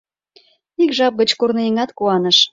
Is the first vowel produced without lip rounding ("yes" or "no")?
yes